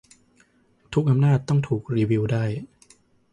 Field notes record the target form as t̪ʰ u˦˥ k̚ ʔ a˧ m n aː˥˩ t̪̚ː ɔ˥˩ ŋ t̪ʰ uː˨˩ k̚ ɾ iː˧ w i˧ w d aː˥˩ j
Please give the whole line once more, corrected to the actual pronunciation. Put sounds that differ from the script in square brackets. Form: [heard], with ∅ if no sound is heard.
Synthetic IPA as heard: t̪ʰ u˦˥ k̚ ʔ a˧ m n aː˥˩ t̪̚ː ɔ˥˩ ŋ t̪ʰ uː˨˩ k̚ ɾ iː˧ w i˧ w d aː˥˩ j